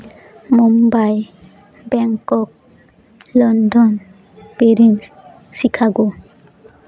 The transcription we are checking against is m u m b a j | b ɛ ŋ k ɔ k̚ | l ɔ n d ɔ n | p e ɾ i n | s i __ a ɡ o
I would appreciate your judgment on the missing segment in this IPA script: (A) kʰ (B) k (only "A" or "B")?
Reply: A